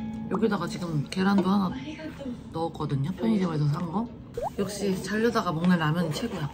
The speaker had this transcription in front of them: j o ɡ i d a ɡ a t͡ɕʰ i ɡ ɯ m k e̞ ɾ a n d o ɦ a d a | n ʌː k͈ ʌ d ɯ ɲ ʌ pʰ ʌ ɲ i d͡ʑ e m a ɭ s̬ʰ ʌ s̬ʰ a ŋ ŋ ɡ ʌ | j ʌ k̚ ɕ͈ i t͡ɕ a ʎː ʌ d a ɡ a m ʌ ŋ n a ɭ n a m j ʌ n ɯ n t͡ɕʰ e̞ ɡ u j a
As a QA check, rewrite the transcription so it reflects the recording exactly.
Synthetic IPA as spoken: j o ɡ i d a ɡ a t͡ɕ i ɡ ɯ m k e̞ ɾ a n d o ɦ a n a | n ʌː k͈ ʌ d ɯ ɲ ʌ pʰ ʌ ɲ i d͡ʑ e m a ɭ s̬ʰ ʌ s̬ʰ a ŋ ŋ ɡ ʌ | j ʌ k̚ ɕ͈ i t͡ɕ a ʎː ʌ d a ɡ a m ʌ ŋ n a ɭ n a m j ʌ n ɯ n t͡ɕʰ e̞ ɡ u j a